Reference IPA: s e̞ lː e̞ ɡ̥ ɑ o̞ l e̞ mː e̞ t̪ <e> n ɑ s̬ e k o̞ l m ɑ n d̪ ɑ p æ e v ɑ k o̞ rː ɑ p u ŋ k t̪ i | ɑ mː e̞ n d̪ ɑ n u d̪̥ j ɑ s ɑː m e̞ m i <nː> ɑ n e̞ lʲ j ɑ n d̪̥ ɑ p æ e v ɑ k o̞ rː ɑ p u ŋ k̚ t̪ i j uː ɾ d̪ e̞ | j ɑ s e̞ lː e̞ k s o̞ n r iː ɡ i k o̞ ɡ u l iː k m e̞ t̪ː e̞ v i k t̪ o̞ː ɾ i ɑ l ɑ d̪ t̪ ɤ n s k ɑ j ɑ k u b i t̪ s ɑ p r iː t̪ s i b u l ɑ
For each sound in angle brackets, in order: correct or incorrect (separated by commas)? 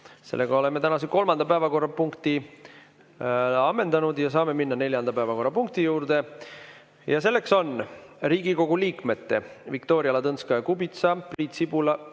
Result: incorrect, correct